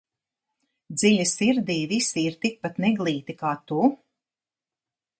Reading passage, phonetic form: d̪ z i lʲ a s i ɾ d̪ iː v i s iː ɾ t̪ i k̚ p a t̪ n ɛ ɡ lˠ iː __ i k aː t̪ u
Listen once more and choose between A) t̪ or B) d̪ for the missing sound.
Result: A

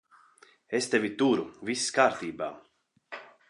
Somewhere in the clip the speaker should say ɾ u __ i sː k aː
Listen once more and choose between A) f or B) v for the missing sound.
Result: B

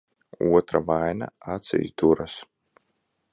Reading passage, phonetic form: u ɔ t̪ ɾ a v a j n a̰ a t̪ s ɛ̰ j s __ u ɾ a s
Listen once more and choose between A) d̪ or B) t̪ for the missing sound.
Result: A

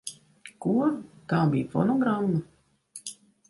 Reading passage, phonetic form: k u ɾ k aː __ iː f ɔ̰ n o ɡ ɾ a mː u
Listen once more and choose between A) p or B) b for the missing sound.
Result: B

